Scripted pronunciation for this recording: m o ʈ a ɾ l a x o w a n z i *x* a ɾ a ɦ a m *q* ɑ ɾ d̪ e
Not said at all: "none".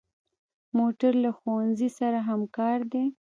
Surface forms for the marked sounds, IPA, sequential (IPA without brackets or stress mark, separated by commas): s, k